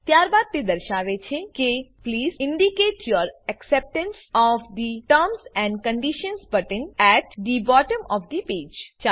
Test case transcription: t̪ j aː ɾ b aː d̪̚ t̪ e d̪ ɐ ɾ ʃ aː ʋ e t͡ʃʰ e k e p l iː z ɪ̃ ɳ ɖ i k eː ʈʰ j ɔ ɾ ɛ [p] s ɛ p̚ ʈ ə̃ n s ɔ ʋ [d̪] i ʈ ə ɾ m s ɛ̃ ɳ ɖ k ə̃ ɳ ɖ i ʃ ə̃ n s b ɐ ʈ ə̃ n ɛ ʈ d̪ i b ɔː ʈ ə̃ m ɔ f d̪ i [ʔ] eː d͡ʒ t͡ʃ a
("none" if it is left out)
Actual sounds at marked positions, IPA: k, d̪, p

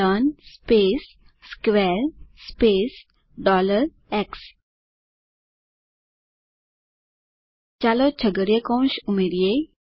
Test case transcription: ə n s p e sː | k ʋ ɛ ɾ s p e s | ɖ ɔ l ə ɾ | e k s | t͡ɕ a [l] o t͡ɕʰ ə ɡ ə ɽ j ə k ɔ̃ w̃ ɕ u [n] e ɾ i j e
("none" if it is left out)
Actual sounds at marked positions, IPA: l, m

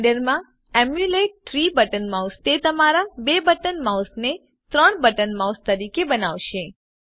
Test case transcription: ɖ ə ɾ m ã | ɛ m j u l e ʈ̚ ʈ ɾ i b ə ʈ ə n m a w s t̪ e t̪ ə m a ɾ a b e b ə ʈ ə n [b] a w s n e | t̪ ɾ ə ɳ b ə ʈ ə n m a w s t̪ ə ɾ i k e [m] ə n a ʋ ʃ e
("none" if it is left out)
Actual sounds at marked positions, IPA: m, b

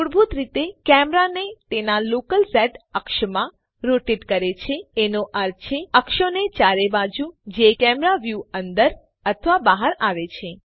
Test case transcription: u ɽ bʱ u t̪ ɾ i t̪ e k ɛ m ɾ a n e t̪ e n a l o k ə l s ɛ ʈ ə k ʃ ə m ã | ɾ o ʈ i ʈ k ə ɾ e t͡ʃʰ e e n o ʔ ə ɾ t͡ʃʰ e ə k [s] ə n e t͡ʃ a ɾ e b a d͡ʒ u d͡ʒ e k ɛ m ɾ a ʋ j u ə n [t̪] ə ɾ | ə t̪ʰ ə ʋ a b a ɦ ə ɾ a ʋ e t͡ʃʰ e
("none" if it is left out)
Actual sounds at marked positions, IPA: ʃ, d̪

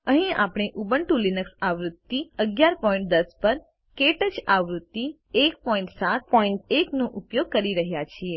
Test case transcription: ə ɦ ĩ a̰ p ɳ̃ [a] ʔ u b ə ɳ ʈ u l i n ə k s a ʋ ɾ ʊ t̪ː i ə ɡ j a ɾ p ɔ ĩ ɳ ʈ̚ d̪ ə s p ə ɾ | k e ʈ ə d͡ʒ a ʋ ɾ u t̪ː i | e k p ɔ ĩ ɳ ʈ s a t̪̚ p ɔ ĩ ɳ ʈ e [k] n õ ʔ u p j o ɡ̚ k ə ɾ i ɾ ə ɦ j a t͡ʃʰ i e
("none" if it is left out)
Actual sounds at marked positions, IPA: e, k

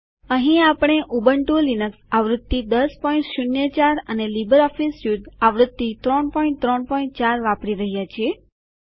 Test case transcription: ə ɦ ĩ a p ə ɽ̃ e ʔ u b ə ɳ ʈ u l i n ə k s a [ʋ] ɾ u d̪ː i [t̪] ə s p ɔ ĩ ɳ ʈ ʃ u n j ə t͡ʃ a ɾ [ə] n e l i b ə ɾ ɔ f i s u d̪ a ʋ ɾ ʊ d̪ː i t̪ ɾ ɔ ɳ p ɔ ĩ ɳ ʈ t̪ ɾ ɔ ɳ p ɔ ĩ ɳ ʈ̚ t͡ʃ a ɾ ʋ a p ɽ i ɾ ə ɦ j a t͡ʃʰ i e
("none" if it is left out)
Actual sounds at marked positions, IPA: ʋ, d̪, ə

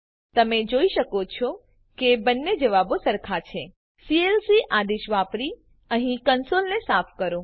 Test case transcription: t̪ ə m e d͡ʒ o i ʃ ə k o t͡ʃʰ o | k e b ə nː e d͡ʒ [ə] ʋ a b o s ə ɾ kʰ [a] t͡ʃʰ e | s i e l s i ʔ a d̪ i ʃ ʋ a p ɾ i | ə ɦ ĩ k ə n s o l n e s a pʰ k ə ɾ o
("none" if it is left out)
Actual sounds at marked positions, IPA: ə, a

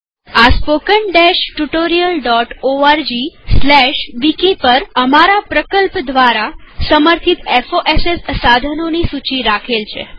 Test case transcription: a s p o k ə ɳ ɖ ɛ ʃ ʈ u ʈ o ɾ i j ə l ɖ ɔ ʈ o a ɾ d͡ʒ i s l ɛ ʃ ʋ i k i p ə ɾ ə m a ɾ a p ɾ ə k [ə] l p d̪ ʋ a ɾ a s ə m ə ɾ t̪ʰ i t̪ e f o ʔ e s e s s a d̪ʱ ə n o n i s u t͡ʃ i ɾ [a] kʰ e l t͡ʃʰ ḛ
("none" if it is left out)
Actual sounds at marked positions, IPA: ə, a

